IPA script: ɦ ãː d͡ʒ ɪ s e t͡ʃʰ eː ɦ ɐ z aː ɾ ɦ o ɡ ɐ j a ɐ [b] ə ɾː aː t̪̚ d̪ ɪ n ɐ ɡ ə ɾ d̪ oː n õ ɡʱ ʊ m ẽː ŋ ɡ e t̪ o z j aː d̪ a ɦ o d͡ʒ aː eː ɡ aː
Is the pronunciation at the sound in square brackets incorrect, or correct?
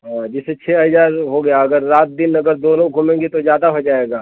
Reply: incorrect